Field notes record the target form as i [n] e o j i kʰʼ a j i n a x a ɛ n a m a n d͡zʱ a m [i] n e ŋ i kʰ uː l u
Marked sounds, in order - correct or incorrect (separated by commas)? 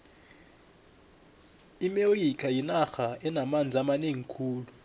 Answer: incorrect, incorrect